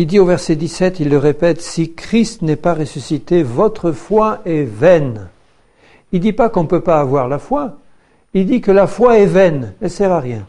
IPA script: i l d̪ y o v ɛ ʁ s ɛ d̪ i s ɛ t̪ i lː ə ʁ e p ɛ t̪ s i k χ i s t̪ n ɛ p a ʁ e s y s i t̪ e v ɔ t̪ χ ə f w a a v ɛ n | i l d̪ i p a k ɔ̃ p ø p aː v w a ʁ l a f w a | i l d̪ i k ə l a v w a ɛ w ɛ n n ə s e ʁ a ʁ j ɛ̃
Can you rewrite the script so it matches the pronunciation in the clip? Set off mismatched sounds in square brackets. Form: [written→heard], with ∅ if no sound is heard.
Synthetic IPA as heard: i l d̪ [y→i] o v ɛ ʁ s ɛ d̪ i s ɛ t̪ i lː ə ʁ e p ɛ t̪ s i k χ i s t̪ n ɛ p a ʁ e s y s i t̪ e v ɔ t̪ χ ə f w a [a→ɛ] v ɛ n | i l d̪ i p a k ɔ̃ p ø p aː v w a ʁ l a f w a | i l d̪ i k ə l a [v→f] w a ɛ [w→v] ɛ n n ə s [e→ɛ] ʁ a ʁ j ɛ̃